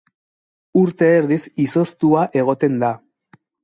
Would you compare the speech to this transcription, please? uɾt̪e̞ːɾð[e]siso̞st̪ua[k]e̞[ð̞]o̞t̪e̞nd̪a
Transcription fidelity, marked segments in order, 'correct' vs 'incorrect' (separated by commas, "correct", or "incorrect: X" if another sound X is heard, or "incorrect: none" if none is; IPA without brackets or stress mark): incorrect: i, incorrect: ʔ, incorrect: ɣ̞